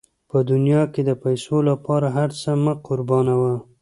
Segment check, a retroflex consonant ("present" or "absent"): absent